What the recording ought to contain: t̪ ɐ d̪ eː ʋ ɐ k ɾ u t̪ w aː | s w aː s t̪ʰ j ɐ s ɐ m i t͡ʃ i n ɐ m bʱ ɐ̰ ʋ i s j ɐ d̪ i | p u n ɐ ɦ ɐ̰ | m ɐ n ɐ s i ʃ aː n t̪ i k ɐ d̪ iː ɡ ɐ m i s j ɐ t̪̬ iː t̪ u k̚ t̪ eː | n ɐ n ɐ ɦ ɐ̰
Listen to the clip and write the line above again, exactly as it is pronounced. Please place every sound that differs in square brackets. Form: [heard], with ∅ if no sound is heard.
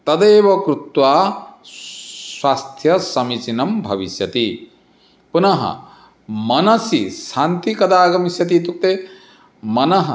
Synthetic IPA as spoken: t̪ ɐ d̪ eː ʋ ɐ k ɾ u t̪ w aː | s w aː s t̪ʰ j ɐ s ɐ m i t͡ʃ i n ɐ m bʱ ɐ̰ ʋ i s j ɐ [t̪] i | p u n ɐ ɦ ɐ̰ | m ɐ n ɐ s i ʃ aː n t̪ i k ɐ d̪ [aː] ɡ ɐ m i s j ɐ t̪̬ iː t̪ u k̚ t̪ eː | [m] ɐ n ɐ ɦ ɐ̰